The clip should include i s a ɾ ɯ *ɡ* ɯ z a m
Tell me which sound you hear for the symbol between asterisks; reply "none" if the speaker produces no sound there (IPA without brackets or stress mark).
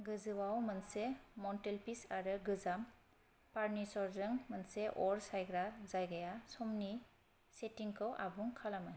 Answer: ɡ